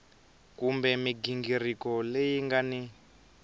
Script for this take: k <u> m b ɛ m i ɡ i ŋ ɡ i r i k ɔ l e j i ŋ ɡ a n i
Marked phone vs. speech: correct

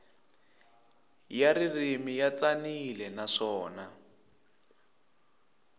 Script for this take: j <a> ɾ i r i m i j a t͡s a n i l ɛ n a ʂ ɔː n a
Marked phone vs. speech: correct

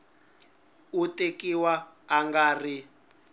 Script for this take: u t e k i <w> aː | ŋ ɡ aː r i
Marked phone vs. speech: correct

